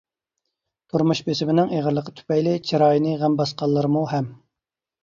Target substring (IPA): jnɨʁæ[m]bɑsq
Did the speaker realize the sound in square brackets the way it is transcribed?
yes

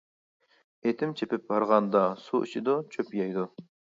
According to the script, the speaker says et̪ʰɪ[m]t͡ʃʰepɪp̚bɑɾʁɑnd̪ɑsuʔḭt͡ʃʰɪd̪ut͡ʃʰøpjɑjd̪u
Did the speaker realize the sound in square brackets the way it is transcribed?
yes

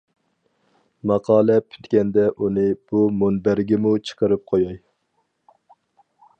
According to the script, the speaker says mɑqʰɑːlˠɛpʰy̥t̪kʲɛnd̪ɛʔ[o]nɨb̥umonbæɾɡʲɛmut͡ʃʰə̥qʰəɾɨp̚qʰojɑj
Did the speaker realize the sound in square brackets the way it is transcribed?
no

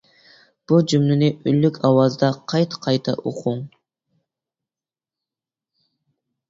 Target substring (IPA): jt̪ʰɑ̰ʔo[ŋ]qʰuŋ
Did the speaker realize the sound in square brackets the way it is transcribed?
no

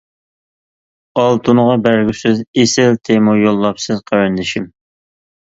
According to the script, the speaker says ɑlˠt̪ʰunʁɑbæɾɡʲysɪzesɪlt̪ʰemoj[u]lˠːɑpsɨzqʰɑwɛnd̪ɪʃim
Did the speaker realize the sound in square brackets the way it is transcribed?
no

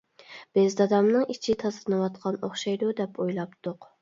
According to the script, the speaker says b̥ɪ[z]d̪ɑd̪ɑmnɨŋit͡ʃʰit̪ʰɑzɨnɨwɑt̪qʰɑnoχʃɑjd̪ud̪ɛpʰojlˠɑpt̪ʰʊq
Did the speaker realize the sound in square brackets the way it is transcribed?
yes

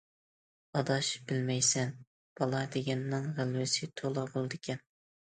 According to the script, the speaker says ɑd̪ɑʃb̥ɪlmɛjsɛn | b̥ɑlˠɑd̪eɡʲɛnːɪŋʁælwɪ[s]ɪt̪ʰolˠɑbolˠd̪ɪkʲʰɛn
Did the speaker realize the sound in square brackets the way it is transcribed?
yes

